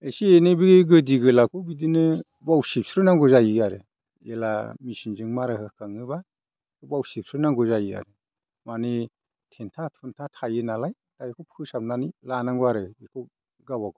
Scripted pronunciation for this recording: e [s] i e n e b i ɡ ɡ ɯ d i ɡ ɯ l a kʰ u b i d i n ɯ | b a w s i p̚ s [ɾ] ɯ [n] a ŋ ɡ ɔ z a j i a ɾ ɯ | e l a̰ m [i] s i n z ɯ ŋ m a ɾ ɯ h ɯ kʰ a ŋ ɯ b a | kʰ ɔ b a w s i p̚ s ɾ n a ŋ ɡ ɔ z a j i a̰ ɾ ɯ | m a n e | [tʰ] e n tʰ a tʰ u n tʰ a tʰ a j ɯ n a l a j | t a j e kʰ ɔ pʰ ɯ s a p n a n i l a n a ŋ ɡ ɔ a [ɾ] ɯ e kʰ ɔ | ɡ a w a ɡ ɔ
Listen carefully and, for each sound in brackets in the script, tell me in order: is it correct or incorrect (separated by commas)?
correct, correct, correct, correct, correct, correct